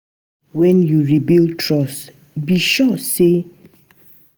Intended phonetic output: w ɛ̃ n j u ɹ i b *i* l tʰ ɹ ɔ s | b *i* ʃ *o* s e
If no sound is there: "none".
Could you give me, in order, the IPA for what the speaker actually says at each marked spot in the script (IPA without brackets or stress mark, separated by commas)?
i, i, ɔ